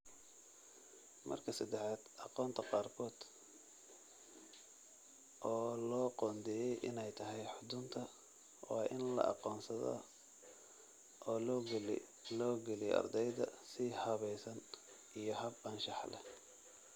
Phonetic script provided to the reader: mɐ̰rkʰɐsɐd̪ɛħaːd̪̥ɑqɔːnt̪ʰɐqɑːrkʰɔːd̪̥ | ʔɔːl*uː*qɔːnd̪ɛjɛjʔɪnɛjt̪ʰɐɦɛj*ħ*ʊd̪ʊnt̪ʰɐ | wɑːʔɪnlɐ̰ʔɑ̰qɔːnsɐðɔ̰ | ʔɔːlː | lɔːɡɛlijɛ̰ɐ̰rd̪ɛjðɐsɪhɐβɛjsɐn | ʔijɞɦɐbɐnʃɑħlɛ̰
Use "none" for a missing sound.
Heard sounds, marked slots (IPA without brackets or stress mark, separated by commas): ɔː, ħ